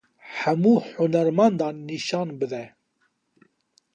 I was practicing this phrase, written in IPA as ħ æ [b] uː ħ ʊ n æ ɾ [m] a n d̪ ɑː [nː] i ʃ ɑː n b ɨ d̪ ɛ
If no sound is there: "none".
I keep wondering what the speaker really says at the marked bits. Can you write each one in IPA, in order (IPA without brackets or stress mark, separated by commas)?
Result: m, m, nː